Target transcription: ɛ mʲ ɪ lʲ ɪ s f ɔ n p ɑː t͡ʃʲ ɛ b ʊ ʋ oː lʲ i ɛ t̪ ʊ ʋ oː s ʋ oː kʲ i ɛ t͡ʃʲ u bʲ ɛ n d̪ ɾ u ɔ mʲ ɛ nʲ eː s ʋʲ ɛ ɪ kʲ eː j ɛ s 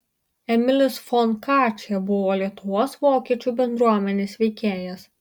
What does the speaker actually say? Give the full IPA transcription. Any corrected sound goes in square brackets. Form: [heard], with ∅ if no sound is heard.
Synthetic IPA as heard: ɛ mʲ ɪ lʲ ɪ s f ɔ n [k] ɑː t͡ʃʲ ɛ b ʊ ʋ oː lʲ i ɛ t̪ ʊ ʋ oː s ʋ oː kʲ i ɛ t͡ʃʲ u bʲ ɛ n d̪ ɾ u ɔ mʲ ɛ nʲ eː s ʋʲ ɛ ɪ kʲ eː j ɛ s